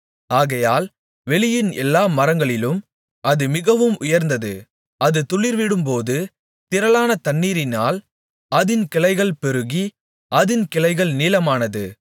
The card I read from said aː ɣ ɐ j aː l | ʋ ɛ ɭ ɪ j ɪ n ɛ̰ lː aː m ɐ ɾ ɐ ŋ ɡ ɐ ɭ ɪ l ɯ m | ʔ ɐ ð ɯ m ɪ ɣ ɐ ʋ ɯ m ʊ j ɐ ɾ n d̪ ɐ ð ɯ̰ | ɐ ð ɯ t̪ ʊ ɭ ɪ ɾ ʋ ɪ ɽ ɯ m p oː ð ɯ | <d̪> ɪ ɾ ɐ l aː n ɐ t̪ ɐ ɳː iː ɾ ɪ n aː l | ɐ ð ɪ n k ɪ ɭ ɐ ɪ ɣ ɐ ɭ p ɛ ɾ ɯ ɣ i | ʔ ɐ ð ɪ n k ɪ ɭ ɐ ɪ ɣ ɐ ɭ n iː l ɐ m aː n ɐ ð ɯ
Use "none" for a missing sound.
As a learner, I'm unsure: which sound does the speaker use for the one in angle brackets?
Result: t̪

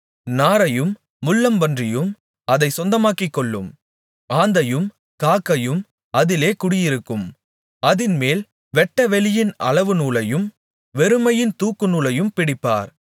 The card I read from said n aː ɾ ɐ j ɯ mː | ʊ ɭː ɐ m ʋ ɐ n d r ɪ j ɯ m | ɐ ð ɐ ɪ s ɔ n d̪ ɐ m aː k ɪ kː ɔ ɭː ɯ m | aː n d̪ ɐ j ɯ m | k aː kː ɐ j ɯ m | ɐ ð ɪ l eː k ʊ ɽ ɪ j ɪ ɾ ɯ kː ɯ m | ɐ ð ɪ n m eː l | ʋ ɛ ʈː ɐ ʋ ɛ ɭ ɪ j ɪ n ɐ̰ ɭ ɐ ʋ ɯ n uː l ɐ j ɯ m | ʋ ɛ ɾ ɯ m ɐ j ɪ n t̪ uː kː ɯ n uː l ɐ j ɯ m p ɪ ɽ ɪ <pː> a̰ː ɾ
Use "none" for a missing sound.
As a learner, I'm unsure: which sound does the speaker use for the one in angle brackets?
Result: pː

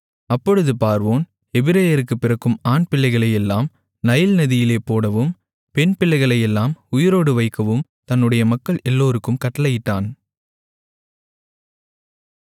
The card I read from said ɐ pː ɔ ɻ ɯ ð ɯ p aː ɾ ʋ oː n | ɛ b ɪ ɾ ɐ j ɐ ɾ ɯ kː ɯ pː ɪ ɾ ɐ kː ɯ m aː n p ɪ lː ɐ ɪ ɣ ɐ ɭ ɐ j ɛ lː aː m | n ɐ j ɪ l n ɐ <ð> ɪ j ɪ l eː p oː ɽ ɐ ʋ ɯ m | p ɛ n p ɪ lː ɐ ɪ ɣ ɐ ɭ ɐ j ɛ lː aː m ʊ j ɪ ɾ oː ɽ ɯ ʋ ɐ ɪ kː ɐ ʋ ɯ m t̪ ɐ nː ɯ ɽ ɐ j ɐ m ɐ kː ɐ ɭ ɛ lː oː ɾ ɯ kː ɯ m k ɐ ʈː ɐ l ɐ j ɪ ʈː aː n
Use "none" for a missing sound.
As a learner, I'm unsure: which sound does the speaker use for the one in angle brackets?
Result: ð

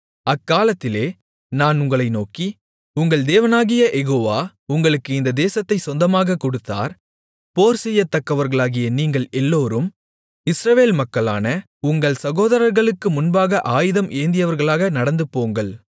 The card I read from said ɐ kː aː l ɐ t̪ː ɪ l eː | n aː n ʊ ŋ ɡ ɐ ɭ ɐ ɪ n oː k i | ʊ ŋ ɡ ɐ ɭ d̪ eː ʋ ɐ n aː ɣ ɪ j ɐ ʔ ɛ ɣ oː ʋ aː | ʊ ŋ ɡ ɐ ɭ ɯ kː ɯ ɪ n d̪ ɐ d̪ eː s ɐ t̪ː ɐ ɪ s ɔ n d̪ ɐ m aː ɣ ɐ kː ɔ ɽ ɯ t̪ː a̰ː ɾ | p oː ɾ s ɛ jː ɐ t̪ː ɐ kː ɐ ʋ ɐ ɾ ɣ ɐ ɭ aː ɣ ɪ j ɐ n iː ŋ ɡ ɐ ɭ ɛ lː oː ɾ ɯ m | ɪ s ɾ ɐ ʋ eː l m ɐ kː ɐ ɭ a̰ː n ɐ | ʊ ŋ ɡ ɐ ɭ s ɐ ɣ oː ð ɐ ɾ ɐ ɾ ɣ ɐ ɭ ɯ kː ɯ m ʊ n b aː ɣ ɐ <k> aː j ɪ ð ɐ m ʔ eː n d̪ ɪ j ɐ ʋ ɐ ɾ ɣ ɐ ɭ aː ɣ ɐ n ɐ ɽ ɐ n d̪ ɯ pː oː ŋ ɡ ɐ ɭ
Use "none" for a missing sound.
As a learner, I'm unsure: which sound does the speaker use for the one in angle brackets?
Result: ʔ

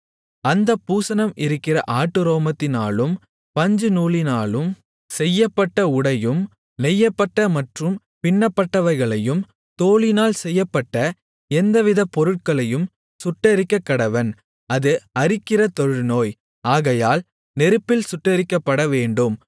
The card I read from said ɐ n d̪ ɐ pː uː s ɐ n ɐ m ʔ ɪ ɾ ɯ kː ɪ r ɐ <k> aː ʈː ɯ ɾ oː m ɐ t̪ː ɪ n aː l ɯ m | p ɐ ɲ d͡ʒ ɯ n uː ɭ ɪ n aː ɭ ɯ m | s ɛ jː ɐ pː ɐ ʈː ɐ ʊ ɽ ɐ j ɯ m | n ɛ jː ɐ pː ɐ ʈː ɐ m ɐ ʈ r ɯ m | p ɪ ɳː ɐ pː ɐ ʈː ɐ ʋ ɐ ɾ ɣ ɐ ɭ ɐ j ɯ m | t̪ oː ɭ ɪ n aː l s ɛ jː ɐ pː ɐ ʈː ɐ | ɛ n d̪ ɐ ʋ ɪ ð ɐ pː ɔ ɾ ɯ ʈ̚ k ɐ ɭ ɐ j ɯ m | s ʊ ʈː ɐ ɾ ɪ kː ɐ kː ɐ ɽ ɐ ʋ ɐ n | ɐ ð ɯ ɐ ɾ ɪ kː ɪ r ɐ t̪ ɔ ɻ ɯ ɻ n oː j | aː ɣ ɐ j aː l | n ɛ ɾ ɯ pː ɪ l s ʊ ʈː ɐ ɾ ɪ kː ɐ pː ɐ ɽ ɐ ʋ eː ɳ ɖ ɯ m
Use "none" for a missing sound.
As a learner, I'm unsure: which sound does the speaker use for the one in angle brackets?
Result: ʔ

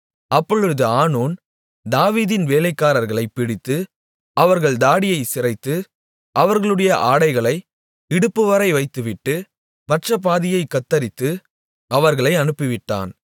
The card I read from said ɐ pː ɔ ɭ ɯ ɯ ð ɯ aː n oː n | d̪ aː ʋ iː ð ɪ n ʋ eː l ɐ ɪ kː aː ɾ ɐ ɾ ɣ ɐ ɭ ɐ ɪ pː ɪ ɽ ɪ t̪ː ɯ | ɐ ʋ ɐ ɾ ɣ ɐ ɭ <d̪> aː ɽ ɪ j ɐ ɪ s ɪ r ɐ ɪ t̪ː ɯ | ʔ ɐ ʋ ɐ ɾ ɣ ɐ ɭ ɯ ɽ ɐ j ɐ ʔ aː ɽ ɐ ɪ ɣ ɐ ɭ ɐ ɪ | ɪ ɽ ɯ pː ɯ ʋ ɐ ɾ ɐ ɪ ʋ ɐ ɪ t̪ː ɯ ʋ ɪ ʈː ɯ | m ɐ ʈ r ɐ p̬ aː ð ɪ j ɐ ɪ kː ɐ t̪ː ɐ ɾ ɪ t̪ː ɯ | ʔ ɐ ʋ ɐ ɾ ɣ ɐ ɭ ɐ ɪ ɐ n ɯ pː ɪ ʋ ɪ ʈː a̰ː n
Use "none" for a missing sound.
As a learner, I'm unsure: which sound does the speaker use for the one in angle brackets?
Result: d̪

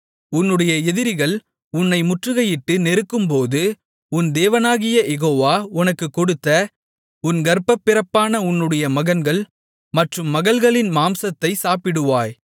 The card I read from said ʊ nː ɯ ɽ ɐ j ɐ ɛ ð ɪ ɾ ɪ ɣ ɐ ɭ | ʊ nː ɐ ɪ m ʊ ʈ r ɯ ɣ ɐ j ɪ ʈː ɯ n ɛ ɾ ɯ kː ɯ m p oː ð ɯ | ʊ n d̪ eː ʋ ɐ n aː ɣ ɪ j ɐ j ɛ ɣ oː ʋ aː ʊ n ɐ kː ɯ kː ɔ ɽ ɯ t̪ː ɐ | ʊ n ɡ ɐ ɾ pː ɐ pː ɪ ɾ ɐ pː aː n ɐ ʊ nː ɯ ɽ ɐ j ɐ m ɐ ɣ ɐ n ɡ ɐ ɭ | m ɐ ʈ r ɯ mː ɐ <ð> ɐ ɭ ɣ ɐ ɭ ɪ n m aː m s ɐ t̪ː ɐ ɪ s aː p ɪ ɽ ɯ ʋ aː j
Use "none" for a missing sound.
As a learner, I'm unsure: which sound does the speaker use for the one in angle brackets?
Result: ɣ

